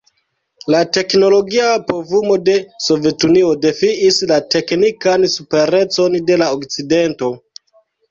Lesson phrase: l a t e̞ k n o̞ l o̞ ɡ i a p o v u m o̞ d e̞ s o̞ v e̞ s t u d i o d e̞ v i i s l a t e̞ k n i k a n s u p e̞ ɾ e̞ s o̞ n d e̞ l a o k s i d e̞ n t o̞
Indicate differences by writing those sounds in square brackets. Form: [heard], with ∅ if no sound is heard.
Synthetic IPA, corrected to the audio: l a t e̞ k n o̞ l o̞ ɡ i a p o v u m o̞ d e̞ s o̞ v e̞ [∅] t u [n] i o d e̞ [f] i i s l a t e̞ k n i k a n s u p e̞ ɾ e̞ [t͡s] o̞ n d e̞ l a o k [t͡s] i d e̞ n t o̞